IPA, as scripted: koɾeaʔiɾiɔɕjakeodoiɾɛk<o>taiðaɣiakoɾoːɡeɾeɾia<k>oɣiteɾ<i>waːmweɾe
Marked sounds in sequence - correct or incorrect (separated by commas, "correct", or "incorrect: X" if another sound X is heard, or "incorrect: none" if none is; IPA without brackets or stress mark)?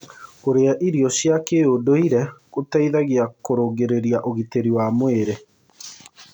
correct, incorrect: ʔ, correct